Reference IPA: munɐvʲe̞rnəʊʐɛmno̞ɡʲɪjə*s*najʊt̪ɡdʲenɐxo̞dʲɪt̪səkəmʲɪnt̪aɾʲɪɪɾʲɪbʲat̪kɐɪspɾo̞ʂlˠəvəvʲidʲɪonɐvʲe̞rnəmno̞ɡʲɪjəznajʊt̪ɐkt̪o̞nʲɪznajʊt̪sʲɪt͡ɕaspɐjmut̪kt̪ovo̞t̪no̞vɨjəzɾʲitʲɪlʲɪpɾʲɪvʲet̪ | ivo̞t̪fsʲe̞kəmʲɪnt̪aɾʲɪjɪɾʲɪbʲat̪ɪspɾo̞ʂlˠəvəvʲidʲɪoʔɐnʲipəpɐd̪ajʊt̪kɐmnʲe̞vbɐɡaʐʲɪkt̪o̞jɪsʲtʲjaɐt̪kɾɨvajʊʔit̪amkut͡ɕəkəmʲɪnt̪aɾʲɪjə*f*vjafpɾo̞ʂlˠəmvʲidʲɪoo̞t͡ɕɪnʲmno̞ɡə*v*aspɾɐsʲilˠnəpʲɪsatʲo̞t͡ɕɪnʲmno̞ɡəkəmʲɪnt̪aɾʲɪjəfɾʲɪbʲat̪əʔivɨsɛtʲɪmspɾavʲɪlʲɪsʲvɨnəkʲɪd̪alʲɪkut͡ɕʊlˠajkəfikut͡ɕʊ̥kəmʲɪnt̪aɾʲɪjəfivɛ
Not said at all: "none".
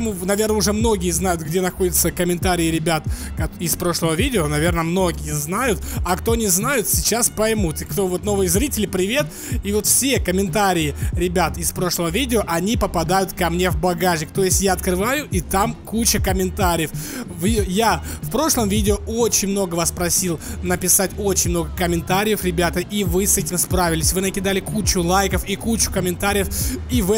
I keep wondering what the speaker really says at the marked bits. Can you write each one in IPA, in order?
z, f, v

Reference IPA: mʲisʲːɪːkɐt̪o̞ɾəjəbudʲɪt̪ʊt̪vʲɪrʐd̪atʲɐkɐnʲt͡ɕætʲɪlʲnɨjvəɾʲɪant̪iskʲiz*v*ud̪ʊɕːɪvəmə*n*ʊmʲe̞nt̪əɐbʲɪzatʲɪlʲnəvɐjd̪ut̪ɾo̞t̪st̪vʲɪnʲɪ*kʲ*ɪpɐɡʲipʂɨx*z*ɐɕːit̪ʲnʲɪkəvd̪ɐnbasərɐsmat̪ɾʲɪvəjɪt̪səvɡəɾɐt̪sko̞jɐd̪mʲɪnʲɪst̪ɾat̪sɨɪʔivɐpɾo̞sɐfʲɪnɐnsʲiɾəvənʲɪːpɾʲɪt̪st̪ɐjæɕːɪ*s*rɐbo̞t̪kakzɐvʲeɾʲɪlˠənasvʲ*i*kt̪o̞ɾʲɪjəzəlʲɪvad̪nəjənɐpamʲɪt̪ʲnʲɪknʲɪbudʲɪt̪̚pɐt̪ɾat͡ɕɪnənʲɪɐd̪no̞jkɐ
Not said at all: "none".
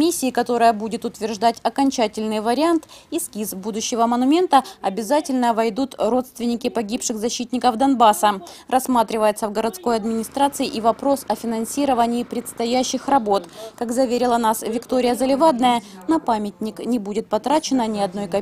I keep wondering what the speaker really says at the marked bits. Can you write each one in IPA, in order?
b, n, kʲ, z, x, ɪ

